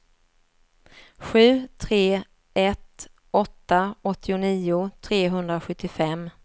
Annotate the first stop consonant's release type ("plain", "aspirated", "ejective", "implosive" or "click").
aspirated